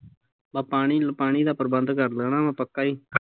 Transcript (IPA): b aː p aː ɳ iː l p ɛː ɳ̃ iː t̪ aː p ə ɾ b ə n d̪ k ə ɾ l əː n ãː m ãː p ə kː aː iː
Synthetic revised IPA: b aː p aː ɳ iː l p aː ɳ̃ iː d̪ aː p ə ɾ b ə n d̪ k ə ɾ l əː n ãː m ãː p ə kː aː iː